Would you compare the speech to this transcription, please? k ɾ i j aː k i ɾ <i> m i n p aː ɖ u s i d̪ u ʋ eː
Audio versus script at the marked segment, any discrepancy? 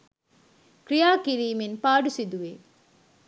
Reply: yes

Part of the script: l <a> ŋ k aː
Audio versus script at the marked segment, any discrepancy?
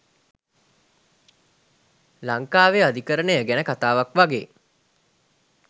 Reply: no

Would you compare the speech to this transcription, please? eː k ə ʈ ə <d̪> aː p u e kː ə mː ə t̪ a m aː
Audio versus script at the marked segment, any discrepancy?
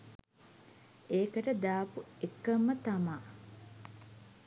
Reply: no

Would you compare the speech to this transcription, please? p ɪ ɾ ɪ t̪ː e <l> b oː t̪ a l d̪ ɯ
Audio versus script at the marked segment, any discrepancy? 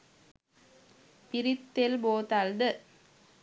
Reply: no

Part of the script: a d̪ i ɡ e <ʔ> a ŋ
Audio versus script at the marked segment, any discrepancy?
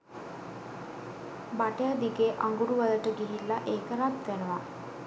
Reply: no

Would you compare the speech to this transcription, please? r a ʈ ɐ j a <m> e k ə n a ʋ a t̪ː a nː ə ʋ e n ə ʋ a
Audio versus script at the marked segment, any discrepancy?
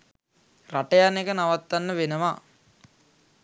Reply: yes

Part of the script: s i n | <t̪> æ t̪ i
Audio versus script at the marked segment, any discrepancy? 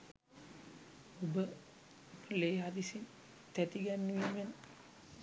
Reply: no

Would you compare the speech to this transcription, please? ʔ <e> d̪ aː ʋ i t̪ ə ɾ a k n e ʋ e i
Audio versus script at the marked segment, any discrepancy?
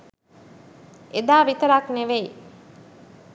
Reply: no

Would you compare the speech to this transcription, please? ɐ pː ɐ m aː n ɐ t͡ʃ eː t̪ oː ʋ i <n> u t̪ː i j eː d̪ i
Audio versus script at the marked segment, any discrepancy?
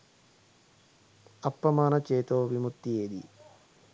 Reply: yes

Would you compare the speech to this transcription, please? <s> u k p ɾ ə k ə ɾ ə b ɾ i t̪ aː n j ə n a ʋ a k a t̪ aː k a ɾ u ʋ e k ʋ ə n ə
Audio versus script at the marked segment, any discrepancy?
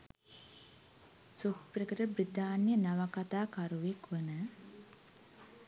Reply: no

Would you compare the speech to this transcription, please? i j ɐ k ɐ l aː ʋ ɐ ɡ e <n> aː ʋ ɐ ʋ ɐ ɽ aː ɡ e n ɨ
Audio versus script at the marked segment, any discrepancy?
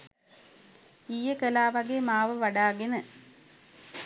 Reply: yes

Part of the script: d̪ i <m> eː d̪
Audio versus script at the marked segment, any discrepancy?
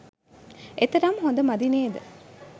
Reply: yes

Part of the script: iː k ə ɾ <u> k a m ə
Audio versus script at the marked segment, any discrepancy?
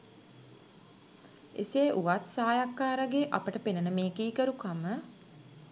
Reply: no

